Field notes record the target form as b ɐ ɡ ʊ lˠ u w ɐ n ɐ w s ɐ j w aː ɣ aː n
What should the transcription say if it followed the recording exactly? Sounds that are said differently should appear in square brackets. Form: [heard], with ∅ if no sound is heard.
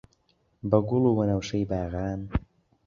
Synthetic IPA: b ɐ ɡ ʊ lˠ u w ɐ n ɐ w [ʃ] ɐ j [b] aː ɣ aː n